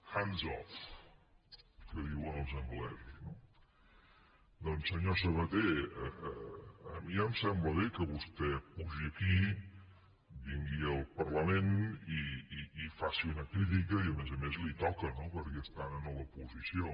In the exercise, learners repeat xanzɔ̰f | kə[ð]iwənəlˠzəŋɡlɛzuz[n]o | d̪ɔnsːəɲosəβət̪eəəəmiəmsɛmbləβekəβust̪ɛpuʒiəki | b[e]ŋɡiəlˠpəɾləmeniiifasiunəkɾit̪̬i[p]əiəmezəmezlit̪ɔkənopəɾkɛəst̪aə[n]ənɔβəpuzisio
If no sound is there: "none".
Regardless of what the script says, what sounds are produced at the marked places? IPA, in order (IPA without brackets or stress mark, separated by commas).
ð, n, i, k, n